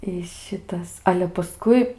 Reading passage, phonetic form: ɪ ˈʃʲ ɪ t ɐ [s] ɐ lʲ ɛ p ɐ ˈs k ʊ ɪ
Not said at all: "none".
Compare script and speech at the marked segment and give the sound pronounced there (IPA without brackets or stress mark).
s